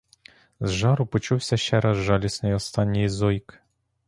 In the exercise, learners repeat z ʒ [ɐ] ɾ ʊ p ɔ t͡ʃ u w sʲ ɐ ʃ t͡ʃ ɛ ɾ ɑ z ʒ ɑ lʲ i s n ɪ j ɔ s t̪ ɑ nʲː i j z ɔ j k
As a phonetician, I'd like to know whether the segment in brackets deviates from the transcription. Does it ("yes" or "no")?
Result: yes